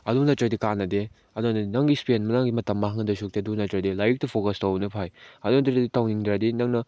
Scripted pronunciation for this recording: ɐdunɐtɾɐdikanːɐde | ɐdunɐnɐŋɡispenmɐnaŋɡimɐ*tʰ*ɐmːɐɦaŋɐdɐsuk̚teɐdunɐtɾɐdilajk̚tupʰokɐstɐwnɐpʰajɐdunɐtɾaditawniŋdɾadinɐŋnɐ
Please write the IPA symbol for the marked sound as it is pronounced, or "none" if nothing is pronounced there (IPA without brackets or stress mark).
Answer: t